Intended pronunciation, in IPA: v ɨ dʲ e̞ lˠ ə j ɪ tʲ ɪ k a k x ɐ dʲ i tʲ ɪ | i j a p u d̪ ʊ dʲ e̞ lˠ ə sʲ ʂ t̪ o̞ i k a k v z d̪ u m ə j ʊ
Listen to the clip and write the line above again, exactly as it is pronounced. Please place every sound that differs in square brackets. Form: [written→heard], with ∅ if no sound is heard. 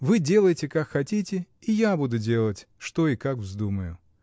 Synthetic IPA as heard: v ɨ dʲ e̞ lˠ ə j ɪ tʲ ɪ k a k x ɐ [dʲ→tʲ] i tʲ ɪ | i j a [p→b] u d̪ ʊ dʲ e̞ lˠ ə [sʲ→tʲ] ʂ t̪ o̞ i k a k v z d̪ u m ə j ʊ